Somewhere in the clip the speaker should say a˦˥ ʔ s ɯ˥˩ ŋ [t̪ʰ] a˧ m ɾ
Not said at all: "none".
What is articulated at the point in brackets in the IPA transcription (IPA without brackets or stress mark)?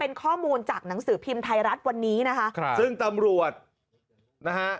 t̪